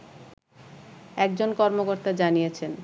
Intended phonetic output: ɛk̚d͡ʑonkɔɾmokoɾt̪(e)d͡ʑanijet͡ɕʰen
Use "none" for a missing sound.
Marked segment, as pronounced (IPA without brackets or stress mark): a